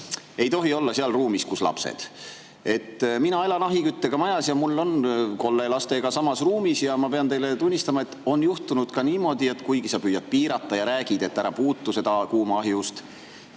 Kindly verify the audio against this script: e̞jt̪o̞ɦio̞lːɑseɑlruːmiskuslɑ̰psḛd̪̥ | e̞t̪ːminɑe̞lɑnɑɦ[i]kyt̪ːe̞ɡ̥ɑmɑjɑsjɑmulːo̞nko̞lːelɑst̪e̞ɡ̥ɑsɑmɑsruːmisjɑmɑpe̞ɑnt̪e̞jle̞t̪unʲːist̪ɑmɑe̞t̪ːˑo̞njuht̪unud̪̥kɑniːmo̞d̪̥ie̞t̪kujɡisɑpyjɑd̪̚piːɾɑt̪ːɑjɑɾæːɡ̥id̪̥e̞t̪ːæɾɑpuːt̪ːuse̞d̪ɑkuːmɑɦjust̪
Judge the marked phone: correct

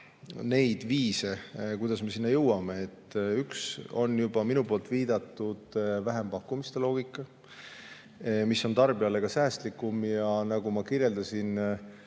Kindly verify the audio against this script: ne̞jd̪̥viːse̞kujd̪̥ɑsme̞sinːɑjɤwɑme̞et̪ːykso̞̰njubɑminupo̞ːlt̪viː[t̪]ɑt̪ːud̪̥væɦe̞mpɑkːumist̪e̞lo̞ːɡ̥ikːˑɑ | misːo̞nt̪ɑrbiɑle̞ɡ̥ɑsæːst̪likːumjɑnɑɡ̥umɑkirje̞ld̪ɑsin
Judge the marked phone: incorrect: d̪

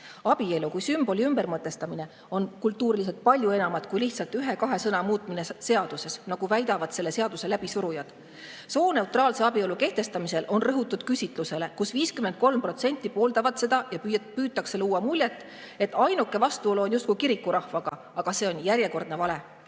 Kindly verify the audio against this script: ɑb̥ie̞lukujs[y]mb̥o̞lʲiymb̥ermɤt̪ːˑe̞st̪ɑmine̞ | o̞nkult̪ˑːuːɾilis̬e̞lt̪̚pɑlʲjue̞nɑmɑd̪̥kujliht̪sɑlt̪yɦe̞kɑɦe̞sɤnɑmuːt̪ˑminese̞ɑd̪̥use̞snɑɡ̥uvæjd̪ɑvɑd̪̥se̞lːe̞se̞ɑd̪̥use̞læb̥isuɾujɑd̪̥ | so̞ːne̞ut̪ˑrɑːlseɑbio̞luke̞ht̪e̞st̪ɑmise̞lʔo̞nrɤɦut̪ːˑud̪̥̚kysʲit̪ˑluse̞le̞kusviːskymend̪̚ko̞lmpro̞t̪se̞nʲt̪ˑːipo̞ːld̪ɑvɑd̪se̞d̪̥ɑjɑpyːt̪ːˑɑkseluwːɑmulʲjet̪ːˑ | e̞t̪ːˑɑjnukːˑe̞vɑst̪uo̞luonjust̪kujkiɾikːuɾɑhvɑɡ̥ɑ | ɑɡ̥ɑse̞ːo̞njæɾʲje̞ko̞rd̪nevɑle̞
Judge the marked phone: correct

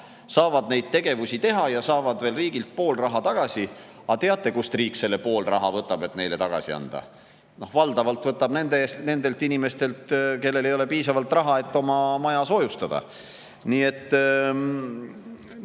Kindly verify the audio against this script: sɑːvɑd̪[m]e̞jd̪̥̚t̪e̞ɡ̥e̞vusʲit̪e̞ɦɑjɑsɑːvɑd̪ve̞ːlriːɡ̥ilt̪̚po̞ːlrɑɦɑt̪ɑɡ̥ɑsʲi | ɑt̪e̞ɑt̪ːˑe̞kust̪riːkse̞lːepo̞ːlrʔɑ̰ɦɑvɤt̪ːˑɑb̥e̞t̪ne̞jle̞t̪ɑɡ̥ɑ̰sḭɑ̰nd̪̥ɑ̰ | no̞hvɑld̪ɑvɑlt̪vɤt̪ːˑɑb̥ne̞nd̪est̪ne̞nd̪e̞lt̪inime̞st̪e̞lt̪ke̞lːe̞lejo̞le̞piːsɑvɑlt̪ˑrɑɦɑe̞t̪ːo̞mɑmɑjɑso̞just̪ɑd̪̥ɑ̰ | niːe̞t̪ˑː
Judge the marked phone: incorrect: n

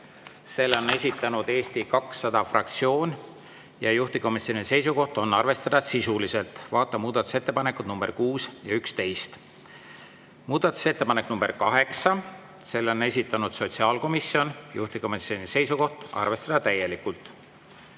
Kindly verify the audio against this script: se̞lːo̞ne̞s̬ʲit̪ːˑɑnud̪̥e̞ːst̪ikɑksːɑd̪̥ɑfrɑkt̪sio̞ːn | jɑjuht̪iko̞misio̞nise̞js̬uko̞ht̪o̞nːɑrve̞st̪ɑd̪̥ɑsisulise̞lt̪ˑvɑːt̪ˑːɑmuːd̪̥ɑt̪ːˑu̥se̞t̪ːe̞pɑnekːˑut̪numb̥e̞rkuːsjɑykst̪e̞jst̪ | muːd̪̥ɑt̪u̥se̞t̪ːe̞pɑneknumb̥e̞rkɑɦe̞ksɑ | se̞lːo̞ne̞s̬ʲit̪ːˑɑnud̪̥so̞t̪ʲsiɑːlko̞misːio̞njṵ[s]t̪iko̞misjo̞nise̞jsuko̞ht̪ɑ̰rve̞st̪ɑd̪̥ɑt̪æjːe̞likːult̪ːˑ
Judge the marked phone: incorrect: h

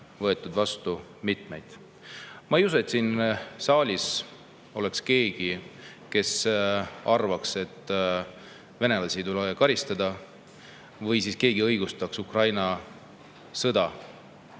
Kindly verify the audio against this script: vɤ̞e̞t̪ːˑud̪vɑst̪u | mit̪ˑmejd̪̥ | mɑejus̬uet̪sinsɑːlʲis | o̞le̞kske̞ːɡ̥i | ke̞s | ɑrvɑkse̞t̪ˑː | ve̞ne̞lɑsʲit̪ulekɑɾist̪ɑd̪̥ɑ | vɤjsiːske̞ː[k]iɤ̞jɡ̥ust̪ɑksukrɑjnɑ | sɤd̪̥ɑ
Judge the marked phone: incorrect: ɡ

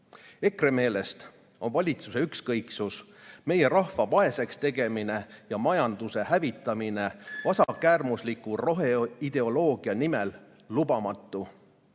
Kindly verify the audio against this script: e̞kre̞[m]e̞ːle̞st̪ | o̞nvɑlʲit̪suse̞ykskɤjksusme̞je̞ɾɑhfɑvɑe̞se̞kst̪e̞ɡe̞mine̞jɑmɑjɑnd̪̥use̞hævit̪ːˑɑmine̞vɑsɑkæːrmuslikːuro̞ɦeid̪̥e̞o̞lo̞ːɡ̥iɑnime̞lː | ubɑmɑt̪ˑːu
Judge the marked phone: correct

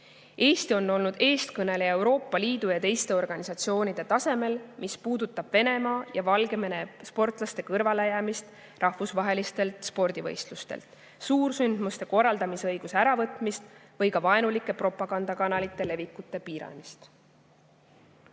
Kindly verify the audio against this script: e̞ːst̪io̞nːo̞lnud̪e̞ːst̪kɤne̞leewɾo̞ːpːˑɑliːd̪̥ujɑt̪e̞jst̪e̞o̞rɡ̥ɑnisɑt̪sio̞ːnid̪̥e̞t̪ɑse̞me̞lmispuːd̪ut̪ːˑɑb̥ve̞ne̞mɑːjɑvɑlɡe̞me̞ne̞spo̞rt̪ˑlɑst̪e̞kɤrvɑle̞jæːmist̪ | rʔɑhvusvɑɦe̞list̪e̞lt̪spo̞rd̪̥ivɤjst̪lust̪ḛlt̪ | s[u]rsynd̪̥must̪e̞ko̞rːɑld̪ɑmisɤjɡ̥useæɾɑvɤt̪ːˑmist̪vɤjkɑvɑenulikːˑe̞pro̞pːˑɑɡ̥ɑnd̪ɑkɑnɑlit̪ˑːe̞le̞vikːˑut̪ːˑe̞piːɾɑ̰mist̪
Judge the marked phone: incorrect: uː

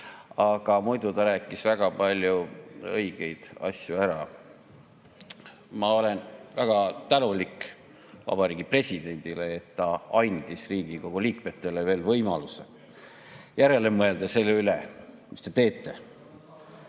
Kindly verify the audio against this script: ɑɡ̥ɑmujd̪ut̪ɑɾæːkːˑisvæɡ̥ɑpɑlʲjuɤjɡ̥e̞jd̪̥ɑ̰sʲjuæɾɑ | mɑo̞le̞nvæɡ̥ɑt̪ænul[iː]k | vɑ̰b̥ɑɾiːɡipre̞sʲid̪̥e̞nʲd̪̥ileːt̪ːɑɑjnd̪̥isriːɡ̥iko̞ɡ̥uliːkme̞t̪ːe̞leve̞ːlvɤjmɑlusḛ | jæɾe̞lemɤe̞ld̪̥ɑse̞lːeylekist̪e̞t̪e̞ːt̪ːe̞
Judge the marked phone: incorrect: i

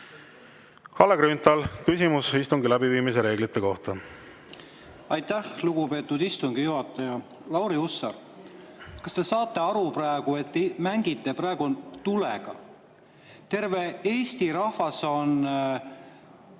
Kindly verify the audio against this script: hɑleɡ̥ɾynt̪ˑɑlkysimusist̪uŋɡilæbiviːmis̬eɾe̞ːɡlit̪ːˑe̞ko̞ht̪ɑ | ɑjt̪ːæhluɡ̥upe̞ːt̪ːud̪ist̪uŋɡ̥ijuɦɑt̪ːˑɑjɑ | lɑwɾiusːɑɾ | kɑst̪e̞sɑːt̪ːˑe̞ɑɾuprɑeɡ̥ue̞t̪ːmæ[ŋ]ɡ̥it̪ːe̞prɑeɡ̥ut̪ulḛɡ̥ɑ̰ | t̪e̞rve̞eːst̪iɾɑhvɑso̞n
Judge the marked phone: correct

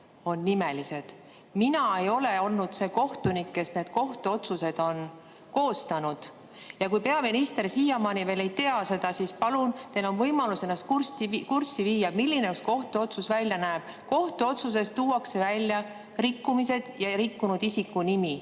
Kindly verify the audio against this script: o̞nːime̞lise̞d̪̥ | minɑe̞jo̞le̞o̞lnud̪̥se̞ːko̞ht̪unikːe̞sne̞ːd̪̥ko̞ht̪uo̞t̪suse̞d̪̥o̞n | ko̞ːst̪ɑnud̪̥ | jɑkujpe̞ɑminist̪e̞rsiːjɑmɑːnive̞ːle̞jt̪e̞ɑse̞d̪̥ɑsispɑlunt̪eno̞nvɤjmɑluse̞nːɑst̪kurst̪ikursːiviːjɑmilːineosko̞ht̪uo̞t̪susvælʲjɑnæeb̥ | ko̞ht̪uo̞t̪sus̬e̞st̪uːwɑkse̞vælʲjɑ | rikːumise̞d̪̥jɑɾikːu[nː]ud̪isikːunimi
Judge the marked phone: incorrect: n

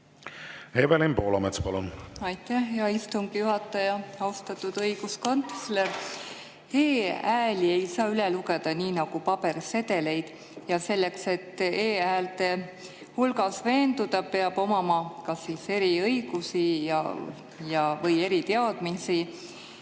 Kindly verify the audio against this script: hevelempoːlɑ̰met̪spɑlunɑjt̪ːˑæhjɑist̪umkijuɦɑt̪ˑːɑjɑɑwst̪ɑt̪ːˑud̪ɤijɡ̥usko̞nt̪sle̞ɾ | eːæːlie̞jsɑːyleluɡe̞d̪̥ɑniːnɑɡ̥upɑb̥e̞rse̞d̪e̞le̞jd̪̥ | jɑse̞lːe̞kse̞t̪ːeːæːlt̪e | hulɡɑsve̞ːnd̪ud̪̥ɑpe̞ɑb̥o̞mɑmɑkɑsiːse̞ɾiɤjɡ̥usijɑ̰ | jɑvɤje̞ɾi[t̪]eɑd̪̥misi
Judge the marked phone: correct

